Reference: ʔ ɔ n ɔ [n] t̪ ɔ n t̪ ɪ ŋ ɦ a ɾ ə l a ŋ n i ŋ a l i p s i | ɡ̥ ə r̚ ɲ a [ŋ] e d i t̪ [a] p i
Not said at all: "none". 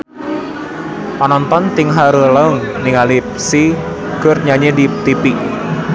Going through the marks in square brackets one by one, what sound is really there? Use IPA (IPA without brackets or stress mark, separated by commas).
n, ɲ, i